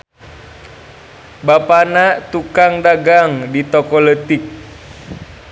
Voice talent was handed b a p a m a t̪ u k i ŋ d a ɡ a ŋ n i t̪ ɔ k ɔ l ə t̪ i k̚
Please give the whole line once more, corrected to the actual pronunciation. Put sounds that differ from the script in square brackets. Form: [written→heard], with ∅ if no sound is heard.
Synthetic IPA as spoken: b a p a [m→n] a t̪ u k [i→a] ŋ d a ɡ a ŋ [n→d] i t̪ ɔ k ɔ l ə t̪ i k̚